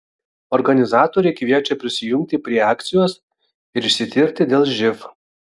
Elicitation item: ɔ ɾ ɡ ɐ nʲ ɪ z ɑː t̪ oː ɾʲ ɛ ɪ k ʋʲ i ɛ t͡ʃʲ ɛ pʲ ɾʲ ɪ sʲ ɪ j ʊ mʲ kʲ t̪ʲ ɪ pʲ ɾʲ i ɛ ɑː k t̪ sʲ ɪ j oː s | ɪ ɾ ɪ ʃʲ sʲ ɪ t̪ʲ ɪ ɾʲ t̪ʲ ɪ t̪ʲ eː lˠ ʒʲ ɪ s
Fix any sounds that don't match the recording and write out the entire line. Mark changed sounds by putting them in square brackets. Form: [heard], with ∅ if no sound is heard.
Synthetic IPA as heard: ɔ ɾ ɡ ɐ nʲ ɪ z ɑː t̪ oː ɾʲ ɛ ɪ k ʋʲ i ɛ t͡ʃʲ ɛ pʲ ɾʲ ɪ sʲ ɪ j ʊ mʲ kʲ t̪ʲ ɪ pʲ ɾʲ i ɛ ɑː k t̪ sʲ ɪ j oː s | ɪ ɾ ɪ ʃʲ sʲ ɪ t̪ʲ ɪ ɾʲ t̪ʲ ɪ [d̪ʲ] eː lˠ ʒʲ ɪ [f]